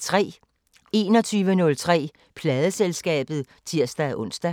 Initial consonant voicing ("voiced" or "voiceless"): voiceless